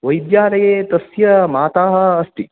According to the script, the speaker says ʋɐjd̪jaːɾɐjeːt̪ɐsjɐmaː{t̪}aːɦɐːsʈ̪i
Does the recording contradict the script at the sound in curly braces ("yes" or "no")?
no